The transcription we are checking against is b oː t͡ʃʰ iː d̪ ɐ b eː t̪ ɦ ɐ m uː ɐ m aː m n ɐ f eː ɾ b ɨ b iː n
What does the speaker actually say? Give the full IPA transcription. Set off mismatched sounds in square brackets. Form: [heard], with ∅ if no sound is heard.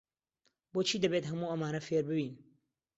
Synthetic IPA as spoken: b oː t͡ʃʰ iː d̪ ɐ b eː t̪ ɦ ɐ m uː ɐ m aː [∅] n ɐ f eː ɾ b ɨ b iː n